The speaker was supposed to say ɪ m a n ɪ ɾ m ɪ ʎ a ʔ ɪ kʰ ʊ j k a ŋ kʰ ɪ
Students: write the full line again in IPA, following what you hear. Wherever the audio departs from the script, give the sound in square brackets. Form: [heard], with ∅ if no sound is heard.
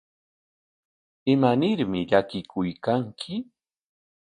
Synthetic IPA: ɪ m a n ɪ ɾ m ɪ ʎ a [k] ɪ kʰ ʊ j k a ŋ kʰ ɪ